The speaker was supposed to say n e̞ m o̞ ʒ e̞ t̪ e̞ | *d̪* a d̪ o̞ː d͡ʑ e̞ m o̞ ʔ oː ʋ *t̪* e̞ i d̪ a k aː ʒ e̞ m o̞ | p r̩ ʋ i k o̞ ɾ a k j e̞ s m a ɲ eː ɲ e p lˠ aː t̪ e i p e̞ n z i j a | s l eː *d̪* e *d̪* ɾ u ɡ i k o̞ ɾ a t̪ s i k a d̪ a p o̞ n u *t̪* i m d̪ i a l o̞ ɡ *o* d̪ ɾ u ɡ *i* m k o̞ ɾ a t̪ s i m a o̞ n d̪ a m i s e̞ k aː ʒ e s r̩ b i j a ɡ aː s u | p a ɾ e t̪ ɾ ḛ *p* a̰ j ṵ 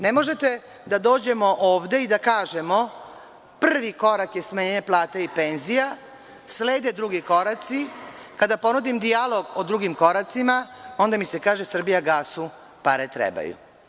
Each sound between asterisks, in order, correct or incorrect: correct, incorrect, correct, correct, incorrect, correct, correct, incorrect

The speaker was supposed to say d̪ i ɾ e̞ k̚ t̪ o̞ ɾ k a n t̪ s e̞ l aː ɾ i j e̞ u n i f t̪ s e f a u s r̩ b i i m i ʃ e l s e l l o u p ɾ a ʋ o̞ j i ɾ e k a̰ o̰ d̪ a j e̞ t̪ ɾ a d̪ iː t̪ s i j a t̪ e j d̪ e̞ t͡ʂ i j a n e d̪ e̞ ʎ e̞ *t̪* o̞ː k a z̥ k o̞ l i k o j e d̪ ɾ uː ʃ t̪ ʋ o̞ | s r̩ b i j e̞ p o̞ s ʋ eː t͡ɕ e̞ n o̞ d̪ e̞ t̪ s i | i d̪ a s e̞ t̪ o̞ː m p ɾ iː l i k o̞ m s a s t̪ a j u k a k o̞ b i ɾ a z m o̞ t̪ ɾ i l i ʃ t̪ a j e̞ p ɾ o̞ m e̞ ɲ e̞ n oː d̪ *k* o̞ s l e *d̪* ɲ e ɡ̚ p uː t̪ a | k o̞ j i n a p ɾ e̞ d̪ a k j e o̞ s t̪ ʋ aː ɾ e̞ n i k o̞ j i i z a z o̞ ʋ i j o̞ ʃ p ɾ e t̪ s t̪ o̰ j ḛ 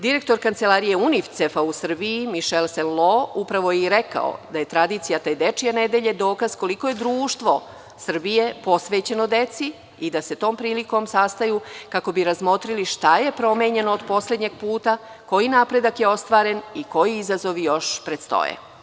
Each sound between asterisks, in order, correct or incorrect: incorrect, incorrect, correct

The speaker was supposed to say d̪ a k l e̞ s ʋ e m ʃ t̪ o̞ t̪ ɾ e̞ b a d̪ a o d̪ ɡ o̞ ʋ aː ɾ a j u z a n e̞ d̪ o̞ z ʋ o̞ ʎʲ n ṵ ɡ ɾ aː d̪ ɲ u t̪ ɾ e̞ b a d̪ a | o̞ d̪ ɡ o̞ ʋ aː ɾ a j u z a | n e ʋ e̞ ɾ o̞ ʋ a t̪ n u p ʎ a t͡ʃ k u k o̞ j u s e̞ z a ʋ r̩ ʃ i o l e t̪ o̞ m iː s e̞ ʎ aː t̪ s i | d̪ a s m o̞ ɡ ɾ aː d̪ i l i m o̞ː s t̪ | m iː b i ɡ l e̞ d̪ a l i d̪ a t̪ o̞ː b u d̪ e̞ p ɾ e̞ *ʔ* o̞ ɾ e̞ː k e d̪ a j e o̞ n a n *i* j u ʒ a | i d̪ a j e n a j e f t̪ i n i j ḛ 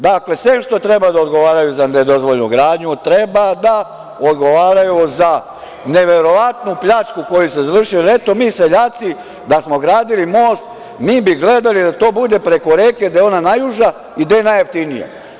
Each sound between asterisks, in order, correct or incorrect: incorrect, incorrect

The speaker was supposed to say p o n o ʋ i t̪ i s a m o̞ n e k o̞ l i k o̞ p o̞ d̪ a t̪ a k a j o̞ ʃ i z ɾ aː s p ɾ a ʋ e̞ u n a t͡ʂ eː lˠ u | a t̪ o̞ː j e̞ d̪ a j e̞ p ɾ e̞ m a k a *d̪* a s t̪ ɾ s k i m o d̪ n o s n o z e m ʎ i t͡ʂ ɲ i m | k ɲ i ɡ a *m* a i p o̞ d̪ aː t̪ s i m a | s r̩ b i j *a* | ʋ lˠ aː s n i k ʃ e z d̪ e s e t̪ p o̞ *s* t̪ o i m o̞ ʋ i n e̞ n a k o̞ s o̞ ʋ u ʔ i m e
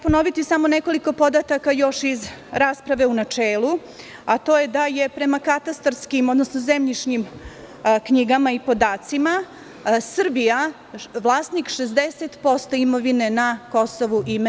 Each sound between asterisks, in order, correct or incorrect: incorrect, correct, correct, correct

